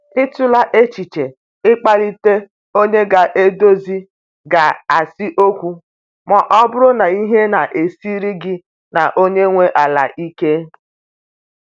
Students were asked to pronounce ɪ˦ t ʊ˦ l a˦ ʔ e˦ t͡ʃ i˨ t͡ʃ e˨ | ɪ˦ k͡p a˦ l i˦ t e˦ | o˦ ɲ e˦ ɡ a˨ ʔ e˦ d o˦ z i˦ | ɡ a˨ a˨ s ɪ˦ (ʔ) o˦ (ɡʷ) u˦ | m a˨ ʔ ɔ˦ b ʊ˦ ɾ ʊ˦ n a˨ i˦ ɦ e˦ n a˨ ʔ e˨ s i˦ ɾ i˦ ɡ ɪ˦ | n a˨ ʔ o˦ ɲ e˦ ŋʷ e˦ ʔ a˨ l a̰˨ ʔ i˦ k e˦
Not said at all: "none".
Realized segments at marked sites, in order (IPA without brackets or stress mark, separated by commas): ʔ, kʷ